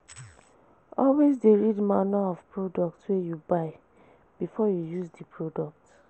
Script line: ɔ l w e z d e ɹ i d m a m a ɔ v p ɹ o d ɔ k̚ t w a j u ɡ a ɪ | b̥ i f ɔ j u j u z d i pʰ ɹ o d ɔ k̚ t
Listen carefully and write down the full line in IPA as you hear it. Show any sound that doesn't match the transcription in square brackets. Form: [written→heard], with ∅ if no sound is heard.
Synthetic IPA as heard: ɔ l w e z d e ɹ i d m a [m→n] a ɔ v p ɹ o d ɔ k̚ t w [a→e] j u [ɡ→b] a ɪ | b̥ i f ɔ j u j u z d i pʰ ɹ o d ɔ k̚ t